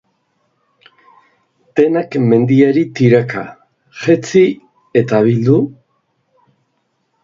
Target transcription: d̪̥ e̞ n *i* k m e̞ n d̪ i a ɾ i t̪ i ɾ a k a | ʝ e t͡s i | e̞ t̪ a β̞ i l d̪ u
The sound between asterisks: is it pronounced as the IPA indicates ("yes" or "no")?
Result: no